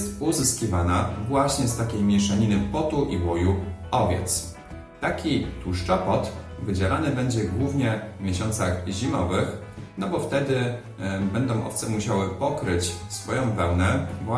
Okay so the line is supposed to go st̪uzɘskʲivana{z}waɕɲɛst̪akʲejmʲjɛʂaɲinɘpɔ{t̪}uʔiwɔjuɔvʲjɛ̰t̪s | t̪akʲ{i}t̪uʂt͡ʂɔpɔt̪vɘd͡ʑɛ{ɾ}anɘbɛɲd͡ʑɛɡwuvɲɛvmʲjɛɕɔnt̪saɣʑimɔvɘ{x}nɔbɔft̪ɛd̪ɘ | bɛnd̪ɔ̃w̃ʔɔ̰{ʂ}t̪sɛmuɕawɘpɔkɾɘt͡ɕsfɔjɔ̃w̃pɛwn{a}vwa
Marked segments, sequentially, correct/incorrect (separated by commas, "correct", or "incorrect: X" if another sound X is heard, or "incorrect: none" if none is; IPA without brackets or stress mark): incorrect: v, correct, correct, incorrect: l, correct, incorrect: f, incorrect: ɛ